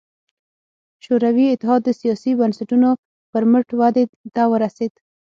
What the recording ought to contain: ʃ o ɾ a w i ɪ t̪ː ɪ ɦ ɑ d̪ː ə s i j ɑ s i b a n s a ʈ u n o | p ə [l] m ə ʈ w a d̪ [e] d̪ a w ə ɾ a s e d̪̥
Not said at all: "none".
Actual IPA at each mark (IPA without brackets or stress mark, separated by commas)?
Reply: ɾ, e